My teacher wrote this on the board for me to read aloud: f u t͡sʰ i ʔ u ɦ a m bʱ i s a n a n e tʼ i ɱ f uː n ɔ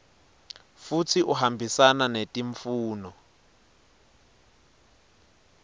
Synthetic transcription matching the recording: f u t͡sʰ i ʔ u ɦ a m bʱ i s a n a n e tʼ i ɱ f uː n ɔ